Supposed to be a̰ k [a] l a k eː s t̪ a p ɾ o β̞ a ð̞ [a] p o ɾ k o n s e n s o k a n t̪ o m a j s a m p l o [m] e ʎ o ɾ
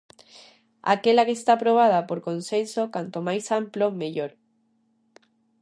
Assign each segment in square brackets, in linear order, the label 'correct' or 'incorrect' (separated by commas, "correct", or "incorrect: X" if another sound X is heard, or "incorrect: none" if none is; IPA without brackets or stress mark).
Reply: incorrect: e, correct, correct